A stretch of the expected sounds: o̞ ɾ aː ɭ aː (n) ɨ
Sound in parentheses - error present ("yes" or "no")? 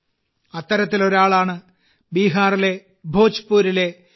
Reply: yes